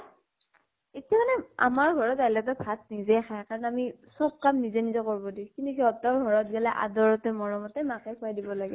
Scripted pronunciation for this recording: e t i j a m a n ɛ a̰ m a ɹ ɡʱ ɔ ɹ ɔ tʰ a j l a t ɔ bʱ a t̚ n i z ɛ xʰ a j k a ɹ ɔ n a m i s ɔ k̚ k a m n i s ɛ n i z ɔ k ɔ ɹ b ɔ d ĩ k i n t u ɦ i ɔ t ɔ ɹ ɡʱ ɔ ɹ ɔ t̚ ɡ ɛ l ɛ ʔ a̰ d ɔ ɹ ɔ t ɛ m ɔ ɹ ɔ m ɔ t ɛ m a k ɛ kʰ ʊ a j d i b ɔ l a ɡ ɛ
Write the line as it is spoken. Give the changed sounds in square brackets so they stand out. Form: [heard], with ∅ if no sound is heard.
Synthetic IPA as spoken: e t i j a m a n ɛ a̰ m a ɹ ɡʱ ɔ ɹ ɔ [t] a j l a t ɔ bʱ a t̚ n i z ɛ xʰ a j k a ɹ ɔ n a m i s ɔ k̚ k a m n i [z] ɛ n i z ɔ k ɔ ɹ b ɔ d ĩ k i n t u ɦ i ɔ t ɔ ɹ ɡʱ ɔ ɹ ɔ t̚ ɡ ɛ l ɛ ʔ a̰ d ɔ ɹ ɔ t ɛ m ɔ ɹ ɔ m ɔ t ɛ m a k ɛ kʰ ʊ a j d i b ɔ l a ɡ ɛ